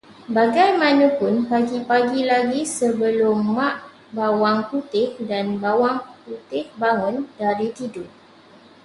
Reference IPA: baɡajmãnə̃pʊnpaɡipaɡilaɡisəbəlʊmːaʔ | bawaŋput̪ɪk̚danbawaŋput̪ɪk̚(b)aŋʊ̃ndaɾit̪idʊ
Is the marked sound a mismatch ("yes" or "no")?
no